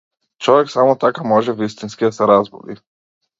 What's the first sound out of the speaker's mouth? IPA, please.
t͡ʃ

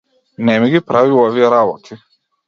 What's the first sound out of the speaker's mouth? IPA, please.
n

